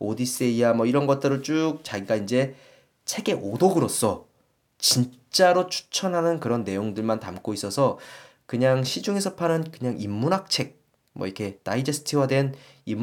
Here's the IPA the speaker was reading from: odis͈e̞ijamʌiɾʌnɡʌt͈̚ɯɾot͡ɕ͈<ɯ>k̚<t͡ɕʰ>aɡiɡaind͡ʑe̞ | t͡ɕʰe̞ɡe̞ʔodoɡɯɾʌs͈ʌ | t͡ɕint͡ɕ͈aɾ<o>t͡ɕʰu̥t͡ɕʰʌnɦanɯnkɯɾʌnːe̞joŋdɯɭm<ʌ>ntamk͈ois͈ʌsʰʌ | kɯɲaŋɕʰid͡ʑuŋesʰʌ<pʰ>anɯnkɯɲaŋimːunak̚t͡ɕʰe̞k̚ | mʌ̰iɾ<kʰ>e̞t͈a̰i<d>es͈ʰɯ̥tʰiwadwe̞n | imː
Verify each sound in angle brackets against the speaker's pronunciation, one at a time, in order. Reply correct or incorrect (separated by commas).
incorrect, incorrect, correct, incorrect, correct, correct, incorrect